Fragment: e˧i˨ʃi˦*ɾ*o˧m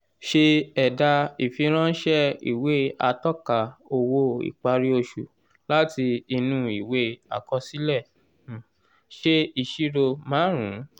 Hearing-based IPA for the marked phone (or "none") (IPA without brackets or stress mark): ɾ